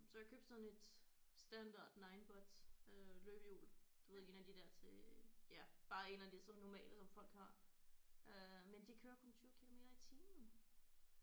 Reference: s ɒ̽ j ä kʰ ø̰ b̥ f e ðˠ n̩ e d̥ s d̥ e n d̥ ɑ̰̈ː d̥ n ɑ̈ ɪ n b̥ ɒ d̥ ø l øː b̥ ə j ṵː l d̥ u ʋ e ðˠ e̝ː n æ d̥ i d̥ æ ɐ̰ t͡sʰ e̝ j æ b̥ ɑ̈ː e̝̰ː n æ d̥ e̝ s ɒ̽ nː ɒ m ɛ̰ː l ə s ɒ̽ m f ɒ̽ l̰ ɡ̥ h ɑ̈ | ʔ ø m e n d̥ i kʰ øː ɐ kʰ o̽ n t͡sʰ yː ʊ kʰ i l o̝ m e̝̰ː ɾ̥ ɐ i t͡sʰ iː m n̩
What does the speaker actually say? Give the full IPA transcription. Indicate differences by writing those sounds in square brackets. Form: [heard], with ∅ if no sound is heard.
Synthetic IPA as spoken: s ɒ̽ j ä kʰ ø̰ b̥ [s] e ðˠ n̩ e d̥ s d̥ [æ] n d̥ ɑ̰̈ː d̥ n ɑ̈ ɪ n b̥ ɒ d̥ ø l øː b̥ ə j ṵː l d̥ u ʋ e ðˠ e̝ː n æ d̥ i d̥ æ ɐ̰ t͡sʰ e̝ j æ b̥ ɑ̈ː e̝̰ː n æ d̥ e̝ s ɒ̽ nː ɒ m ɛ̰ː l ə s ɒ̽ m f ɒ̽ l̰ ɡ̥ h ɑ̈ | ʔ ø m e n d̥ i kʰ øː ɐ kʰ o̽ n t͡sʰ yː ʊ kʰ i l o̝ m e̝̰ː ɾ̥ ɐ i t͡sʰ iː m n̩